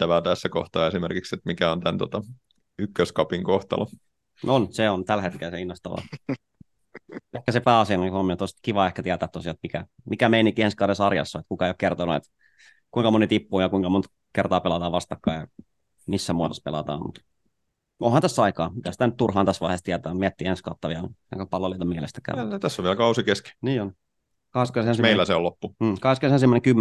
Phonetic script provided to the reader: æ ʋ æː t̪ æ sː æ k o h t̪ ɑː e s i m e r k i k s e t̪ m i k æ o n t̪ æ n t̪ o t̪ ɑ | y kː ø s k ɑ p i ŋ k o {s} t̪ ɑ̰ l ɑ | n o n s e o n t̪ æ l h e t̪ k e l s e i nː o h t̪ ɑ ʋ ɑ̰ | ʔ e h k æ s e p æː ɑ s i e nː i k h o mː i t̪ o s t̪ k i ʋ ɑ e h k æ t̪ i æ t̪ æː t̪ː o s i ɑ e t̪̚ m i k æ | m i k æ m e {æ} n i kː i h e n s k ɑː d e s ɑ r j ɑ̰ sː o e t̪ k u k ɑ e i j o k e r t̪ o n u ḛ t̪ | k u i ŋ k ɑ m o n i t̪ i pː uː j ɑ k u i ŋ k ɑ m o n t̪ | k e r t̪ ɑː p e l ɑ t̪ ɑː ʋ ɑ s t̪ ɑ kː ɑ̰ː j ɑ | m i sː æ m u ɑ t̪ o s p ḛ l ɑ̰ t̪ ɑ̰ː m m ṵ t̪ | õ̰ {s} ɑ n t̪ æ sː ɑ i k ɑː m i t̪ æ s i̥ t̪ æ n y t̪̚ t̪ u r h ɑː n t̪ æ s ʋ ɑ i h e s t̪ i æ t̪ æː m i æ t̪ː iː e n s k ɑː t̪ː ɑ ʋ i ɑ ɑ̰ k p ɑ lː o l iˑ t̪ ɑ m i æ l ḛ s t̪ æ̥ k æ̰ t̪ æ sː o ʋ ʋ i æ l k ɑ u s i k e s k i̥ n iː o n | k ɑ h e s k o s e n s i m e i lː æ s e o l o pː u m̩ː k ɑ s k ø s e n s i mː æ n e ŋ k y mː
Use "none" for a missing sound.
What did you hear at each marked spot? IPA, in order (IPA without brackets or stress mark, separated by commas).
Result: h, i, h